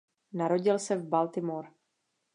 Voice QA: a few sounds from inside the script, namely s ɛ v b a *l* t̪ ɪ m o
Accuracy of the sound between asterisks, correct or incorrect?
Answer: correct